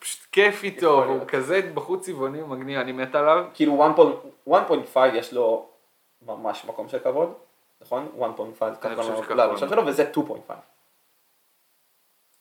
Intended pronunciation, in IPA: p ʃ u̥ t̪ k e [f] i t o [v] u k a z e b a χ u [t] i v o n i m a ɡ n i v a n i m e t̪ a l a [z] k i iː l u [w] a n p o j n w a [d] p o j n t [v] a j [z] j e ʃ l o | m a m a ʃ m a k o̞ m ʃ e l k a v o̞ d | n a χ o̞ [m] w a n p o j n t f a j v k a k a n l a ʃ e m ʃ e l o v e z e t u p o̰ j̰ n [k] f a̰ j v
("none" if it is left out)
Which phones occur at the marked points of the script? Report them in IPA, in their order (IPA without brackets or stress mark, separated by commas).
f, v, t͡s, v, w, n, f, v, n, t